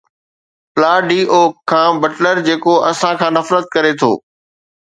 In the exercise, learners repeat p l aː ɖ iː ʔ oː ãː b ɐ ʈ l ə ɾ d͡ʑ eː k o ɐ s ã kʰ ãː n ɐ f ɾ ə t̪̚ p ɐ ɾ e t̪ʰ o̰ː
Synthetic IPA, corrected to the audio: p l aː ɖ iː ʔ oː ãː b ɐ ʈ l ə ɾ d͡ʑ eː k o ɐ s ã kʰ ãː n ɐ f ɾ ə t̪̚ k ɐ ɾ e t̪ʰ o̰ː